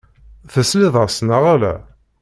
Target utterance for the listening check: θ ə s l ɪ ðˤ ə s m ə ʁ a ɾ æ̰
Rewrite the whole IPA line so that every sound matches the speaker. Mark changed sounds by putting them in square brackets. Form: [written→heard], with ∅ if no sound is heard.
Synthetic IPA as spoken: θ ə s l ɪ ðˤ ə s [m→n] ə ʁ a [ɾ→l] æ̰